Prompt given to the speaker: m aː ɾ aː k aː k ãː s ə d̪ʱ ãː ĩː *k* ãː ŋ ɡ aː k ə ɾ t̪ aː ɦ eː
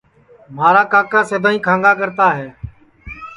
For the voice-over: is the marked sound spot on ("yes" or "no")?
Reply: no